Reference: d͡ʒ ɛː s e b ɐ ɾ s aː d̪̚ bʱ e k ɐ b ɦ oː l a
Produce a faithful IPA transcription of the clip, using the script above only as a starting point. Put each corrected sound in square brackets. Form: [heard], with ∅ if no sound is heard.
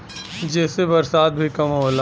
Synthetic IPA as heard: d͡ʒ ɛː s e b ɐ ɾ s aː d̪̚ bʱ [i] k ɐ [m] ɦ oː l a